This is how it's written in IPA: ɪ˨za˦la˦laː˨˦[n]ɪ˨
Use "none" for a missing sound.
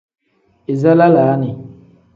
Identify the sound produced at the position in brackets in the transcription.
n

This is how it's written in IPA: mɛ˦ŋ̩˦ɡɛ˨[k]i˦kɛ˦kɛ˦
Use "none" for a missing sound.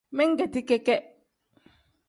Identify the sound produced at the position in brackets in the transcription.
t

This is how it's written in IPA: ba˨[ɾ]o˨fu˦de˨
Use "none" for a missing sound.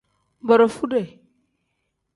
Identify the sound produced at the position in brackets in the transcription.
ɾ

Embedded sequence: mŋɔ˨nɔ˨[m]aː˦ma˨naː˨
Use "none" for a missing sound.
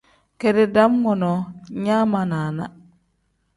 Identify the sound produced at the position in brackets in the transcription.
ɲ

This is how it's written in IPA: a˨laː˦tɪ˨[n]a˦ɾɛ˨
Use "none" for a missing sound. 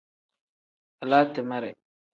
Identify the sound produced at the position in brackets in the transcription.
m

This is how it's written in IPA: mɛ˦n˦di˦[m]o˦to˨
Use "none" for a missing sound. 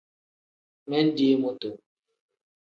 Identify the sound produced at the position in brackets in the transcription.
m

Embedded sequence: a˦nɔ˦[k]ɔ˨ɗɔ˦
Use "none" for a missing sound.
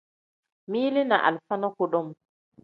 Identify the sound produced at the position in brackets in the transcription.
k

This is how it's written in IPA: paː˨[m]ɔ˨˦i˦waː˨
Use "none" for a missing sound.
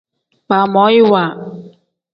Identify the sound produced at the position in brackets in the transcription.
m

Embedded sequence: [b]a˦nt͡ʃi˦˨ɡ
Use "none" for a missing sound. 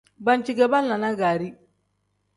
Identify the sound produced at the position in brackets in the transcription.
b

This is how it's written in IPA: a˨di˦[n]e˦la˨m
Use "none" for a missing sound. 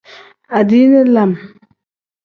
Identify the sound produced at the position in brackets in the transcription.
n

